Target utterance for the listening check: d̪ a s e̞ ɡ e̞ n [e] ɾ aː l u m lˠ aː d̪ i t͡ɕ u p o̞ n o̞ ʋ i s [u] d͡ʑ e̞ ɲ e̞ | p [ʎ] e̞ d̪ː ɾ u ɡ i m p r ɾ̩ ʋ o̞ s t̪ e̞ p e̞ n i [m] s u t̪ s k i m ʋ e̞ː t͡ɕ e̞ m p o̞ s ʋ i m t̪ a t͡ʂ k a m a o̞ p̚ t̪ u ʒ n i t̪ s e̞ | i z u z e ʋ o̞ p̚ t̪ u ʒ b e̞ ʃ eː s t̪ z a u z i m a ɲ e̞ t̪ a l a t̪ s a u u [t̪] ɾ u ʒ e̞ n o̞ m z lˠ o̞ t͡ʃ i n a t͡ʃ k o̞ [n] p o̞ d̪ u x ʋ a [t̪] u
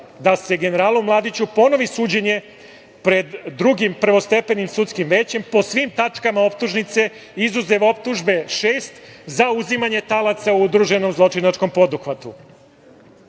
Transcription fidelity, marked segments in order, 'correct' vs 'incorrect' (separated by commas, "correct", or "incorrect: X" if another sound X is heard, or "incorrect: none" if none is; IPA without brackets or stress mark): correct, incorrect: uː, incorrect: ɾ, correct, incorrect: d̪, incorrect: m, correct